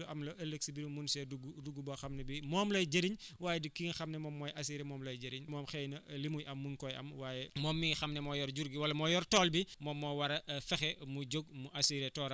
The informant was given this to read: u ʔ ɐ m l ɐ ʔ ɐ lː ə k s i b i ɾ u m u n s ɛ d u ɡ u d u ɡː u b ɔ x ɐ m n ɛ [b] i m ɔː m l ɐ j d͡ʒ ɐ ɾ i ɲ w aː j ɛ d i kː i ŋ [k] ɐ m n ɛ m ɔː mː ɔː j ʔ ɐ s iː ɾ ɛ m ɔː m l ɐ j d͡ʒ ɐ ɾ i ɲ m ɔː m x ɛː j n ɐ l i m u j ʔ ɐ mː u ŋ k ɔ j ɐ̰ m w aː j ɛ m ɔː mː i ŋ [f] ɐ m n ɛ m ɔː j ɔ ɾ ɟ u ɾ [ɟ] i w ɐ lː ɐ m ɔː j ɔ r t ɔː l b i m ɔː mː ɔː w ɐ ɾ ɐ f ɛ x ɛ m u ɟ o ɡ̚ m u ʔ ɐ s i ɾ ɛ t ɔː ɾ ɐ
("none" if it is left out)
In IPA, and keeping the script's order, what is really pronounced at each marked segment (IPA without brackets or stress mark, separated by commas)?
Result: b, x, x, ɡ